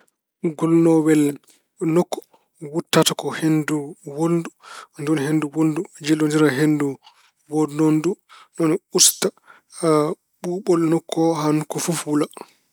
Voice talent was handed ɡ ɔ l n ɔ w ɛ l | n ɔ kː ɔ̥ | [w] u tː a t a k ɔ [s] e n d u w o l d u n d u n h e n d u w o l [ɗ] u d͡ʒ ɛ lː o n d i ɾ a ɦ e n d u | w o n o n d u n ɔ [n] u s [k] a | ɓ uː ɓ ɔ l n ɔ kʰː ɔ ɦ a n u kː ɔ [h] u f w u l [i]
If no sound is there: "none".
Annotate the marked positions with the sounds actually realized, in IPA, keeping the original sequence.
w, h, d, n, t, f, a

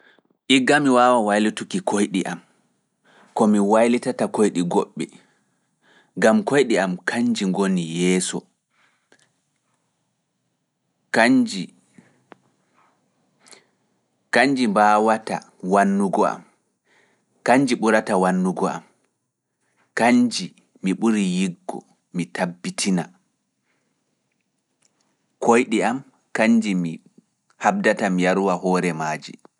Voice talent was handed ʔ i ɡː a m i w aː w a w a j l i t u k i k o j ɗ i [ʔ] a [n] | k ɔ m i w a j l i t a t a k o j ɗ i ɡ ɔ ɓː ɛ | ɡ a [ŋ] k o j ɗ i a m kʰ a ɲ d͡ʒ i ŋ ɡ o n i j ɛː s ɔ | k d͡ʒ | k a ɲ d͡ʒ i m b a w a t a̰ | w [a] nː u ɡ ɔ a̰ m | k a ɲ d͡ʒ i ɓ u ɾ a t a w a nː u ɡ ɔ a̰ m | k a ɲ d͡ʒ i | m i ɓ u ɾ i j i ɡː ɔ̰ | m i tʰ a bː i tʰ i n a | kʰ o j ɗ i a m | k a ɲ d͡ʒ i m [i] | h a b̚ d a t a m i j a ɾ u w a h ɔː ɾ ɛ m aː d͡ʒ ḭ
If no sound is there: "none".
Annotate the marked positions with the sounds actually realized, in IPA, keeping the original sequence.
ʔ, m, m, a, i

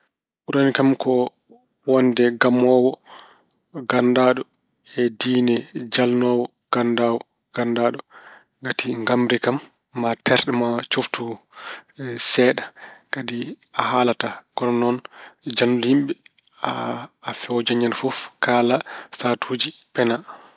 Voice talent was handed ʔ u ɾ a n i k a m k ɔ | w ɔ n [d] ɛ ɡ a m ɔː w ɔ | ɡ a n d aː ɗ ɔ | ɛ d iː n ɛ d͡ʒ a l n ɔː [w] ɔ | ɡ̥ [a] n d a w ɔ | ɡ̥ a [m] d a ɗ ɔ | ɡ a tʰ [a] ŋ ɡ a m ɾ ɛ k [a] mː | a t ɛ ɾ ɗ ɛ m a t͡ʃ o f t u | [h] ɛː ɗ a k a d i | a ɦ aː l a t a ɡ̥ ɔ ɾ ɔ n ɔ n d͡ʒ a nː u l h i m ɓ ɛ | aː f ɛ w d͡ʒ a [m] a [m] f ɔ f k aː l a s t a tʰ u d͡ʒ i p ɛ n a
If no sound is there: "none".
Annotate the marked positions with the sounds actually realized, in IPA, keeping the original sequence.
d, w, a, n, i, a, s, ɲ, n

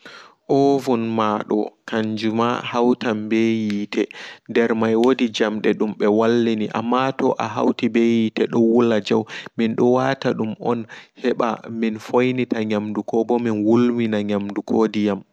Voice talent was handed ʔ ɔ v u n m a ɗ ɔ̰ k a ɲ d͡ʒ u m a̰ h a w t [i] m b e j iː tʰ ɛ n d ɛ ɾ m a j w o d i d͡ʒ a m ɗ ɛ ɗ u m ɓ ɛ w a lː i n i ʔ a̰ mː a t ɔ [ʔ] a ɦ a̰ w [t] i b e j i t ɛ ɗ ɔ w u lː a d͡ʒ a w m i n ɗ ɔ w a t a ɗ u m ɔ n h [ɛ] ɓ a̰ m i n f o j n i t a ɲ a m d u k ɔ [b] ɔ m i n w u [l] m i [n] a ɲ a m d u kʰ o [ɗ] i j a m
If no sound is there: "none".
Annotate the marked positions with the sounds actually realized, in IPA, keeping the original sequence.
a, ʔ, t, ɛ, b, l, n, d

